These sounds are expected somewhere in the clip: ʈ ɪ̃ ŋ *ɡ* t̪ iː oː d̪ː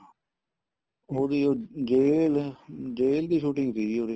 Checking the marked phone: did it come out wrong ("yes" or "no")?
no